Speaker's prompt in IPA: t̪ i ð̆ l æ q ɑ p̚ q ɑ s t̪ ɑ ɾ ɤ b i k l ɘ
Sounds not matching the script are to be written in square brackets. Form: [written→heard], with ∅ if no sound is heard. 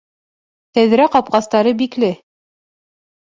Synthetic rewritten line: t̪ [i→æ] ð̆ [l→ɾ] æ q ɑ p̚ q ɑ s t̪ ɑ ɾ ɤ b i k l ɘ